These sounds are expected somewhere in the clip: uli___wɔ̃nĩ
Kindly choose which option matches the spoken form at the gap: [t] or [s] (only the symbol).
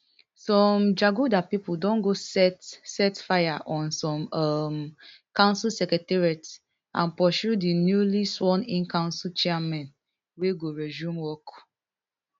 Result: s